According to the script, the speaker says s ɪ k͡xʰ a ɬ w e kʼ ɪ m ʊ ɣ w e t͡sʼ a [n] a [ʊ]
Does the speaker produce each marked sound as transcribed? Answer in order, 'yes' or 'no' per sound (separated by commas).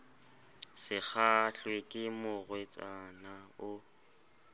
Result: yes, yes